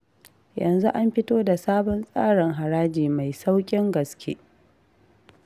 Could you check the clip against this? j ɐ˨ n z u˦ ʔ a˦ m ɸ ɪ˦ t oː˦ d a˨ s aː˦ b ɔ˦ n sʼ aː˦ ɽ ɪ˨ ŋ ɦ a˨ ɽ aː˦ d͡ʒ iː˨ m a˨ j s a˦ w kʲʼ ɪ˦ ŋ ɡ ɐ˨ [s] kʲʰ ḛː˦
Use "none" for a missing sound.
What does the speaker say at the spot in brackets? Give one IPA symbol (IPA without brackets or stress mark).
s